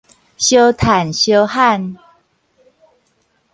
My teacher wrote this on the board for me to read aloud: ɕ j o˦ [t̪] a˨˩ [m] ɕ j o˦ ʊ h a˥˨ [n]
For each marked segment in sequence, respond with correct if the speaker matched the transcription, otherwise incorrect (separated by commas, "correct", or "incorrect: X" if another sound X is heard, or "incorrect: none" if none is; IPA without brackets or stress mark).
incorrect: t̪ʰ, incorrect: n, correct